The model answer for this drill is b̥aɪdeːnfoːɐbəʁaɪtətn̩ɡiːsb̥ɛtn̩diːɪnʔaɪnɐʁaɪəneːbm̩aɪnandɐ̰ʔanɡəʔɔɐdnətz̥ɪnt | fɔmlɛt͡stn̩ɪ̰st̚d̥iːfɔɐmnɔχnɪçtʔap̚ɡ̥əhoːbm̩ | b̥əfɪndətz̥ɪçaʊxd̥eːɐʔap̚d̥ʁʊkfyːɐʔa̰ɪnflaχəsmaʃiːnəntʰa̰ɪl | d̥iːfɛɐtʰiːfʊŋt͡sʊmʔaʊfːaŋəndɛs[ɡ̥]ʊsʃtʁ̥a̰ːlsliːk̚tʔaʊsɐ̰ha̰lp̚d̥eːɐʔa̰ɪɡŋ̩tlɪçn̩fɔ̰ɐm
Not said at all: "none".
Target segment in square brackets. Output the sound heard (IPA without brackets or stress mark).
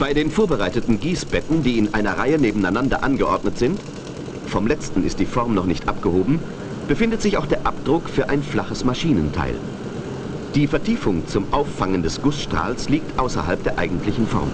ɡ̥